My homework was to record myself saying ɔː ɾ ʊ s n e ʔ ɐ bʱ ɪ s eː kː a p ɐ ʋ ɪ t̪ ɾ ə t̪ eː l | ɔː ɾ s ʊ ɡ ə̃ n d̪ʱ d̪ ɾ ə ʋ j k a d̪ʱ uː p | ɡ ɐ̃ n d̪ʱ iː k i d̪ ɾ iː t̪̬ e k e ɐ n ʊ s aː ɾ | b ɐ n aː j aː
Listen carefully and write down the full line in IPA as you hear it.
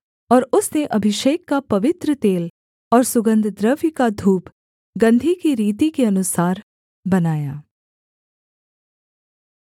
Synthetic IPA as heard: ɔː ɾ ʊ s n e ʔ ɐ bʱ ɪ ʃ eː kː a p ɐ ʋ ɪ t̪ ɾ ə t̪ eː l | ɔː ɾ s ʊ ɡ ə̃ n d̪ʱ d̪ ɾ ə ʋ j k a d̪ʱ uː p | ɡ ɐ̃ n d̪ʱ i k i ɾ iː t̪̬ i k e ɐ n ʊ s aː ɾ | b ɐ n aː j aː